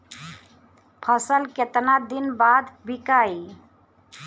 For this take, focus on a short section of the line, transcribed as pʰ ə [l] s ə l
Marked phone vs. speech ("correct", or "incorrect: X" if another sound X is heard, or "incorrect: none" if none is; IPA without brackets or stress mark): incorrect: none